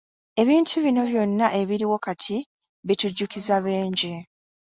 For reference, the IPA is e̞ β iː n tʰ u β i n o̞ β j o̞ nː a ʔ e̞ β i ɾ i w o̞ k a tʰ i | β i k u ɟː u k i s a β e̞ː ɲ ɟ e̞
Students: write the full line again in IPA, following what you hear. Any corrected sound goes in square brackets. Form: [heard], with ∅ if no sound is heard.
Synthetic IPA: e̞ β iː n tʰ u β i n o̞ β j o̞ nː a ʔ e̞ β i ɾ i w o̞ k a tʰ i | β i [t] u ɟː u k i [z] a β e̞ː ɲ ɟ e̞